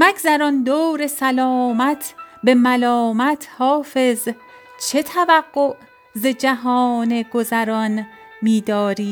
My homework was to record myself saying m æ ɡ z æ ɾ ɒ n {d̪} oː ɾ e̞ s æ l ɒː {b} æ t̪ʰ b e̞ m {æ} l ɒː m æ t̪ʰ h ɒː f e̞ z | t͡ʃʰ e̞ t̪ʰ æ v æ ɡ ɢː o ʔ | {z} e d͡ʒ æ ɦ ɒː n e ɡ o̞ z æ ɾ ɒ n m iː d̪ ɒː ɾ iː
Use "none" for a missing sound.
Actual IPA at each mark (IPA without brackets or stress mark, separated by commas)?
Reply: d̪, m, æ, z